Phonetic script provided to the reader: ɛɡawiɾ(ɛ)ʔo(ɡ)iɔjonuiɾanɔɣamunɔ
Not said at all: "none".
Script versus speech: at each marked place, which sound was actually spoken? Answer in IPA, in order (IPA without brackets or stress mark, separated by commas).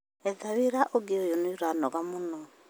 a, ɡ